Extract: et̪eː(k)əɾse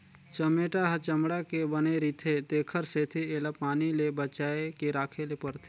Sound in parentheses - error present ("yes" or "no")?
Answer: yes